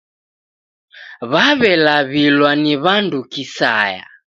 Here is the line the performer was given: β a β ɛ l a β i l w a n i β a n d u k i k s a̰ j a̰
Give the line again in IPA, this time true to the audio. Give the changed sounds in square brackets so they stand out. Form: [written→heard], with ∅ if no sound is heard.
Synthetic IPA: β a β ɛ l a β i l w a n i β a n d u k i [k→∅] s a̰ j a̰